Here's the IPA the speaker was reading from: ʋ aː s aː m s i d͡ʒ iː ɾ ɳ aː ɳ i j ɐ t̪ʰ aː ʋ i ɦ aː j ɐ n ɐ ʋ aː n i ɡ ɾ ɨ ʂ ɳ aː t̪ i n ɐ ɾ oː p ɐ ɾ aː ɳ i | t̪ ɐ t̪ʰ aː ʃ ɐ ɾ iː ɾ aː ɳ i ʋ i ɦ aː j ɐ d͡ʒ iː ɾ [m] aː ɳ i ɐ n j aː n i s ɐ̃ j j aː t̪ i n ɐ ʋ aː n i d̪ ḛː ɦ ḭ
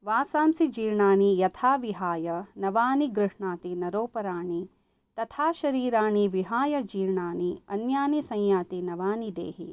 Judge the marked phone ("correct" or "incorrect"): incorrect